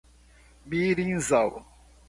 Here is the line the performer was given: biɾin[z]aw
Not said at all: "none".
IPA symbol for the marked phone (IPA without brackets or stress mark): z